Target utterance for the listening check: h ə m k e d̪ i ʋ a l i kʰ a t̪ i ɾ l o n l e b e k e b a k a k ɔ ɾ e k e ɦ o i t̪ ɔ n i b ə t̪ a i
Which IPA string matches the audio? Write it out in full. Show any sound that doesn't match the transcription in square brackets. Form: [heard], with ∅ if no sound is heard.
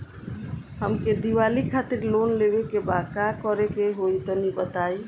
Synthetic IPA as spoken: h ə m k e d̪ i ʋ a l i kʰ a t̪ i ɾ l o n l e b e k e b a k a k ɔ ɾ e k e ɦ o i t̪ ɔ n i b ə t̪ a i